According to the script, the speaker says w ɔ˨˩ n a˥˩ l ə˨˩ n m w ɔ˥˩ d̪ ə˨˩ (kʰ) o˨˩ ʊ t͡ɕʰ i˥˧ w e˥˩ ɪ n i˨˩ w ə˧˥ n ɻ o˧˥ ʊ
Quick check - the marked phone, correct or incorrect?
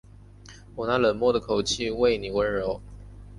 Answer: correct